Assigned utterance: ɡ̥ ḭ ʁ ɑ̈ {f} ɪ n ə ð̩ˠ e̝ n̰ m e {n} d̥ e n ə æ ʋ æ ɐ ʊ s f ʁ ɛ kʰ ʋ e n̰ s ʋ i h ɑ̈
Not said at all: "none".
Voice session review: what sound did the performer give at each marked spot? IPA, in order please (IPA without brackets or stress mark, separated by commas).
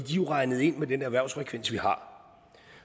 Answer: none, none